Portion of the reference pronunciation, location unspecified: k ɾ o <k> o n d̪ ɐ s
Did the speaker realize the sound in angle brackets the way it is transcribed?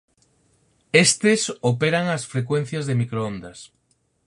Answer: no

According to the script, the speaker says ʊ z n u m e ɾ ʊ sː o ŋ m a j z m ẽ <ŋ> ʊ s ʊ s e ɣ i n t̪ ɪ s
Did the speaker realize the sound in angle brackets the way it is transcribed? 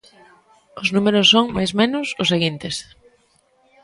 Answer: no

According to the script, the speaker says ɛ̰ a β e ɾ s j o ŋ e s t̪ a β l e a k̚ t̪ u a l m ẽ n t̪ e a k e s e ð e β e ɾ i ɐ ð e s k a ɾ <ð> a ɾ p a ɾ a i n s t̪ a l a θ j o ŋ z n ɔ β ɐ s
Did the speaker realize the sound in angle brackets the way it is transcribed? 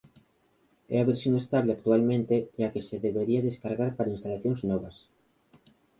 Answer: no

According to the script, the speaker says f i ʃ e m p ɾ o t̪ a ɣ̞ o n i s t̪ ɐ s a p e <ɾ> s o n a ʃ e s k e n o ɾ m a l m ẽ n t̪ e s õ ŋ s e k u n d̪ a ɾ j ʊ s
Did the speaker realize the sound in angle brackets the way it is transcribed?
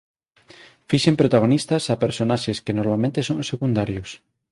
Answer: yes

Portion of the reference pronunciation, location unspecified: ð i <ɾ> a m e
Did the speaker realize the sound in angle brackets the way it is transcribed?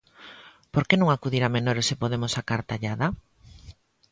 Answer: yes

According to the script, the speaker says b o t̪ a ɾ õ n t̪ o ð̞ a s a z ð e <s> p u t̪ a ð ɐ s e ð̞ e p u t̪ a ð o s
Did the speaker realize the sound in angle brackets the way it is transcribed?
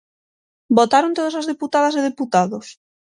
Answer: no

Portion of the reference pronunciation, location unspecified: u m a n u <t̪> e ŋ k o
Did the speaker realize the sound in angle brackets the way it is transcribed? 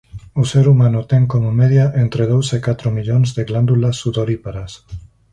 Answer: yes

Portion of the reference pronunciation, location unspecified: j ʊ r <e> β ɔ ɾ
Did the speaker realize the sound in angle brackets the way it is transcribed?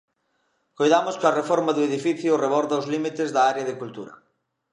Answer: yes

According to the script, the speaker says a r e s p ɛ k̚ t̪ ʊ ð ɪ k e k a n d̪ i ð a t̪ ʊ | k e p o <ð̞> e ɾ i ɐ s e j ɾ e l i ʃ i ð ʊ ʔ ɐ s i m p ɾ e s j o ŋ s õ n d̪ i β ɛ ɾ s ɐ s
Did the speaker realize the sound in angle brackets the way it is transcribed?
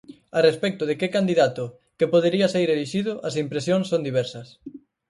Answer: yes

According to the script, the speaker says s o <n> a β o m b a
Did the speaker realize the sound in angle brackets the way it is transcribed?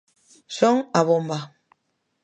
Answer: no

